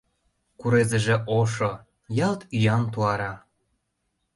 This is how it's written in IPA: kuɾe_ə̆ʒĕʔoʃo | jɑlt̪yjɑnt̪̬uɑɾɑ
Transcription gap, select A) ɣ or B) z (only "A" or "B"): B